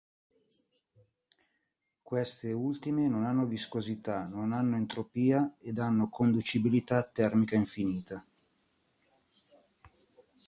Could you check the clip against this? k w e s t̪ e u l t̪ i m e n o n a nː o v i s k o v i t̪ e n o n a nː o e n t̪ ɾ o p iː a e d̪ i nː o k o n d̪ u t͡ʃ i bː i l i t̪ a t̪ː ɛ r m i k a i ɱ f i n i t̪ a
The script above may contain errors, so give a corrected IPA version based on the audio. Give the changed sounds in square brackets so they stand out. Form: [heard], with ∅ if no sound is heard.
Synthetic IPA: k w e s t̪ e u l t̪ i m e n o n a nː o v i s k o [z] i t̪ [a] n o n a nː o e n t̪ ɾ o p iː a e d̪ [a] nː o k o n d̪ u t͡ʃ i [b] i l i t̪ a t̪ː ɛ r m i k a i ɱ f i n [iː] t̪ a